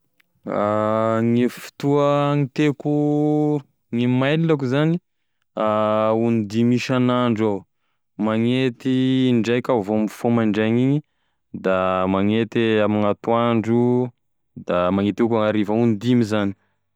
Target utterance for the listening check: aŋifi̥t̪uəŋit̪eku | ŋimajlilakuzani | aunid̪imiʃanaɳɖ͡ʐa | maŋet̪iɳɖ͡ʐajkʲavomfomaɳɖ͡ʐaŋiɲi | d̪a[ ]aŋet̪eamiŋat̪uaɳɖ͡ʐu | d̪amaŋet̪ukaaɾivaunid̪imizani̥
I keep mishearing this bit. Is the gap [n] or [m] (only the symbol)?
m